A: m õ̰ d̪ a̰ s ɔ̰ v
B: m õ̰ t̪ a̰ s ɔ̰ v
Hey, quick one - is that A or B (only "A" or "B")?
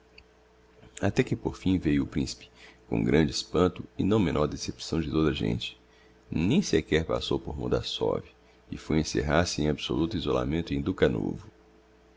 A